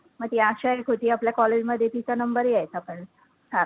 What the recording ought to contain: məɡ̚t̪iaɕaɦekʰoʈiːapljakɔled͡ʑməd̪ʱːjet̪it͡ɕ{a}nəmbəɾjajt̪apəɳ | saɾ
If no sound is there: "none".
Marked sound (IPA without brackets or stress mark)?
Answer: a